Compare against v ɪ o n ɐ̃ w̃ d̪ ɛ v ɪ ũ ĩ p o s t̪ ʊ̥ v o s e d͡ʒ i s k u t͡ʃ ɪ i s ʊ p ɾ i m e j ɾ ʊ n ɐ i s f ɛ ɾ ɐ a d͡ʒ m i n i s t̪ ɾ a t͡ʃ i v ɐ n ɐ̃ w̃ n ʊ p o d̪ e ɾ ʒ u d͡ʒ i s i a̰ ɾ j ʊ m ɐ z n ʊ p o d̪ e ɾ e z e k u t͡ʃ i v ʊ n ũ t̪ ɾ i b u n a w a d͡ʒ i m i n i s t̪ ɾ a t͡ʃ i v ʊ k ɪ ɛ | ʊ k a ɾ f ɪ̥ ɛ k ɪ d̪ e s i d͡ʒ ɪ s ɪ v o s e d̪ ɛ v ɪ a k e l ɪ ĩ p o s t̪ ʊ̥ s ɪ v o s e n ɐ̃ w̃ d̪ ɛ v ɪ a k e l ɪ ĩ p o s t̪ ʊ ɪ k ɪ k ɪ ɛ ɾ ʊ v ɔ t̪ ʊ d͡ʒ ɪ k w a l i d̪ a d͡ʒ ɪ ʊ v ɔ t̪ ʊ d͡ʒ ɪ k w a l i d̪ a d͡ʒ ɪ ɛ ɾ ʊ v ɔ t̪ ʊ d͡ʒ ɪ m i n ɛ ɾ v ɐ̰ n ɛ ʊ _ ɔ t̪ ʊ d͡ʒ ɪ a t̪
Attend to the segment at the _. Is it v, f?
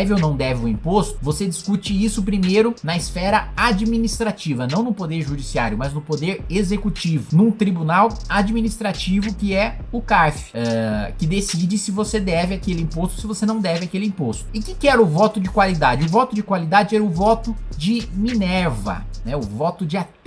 v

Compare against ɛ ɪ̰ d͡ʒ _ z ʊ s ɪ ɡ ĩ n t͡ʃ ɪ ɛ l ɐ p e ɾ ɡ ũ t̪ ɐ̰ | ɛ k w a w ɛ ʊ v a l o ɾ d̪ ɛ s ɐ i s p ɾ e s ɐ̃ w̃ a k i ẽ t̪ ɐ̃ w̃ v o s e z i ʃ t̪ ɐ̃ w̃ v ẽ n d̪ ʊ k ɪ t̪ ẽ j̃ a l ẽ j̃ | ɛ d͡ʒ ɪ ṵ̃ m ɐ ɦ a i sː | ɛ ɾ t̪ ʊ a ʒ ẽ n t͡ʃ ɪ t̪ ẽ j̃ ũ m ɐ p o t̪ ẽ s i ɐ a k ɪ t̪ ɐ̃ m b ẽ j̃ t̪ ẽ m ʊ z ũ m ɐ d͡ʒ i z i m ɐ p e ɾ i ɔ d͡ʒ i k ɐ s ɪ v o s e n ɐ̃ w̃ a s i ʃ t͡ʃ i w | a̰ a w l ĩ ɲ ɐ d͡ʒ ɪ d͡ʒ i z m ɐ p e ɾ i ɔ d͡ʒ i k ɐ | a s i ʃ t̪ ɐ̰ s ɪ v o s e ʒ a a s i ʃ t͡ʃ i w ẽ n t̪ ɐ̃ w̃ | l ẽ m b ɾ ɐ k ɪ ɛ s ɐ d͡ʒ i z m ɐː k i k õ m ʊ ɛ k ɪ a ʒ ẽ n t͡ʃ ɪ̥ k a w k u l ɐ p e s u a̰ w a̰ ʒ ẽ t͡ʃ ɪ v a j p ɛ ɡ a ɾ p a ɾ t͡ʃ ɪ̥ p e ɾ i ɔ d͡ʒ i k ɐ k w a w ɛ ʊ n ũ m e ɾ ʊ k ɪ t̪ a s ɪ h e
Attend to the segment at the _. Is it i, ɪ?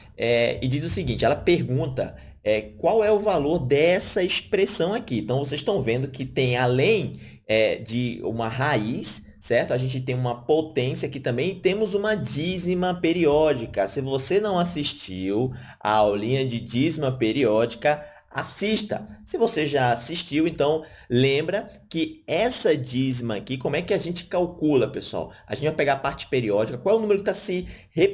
i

